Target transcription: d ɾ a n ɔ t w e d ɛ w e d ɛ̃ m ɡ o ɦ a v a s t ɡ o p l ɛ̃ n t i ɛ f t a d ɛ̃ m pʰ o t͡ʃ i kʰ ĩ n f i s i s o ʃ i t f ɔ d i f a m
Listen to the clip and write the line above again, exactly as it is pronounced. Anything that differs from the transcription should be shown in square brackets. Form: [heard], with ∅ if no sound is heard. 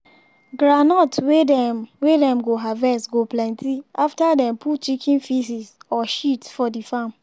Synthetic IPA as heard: [ɡ] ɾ a n ɔ t w e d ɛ w e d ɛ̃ m ɡ o ɦ a v [ɛ] s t ɡ o p l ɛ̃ n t i [a] f t a d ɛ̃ m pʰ [u] t͡ʃ i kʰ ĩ n f i s i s [ɔ] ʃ i t f ɔ d i f a m